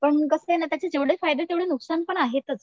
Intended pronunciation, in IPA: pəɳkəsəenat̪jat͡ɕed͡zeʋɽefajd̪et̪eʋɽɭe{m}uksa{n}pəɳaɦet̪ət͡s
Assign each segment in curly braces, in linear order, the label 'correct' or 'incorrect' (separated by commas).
incorrect, correct